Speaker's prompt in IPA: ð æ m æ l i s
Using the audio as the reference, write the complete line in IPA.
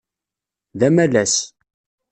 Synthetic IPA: ð æ m æ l æ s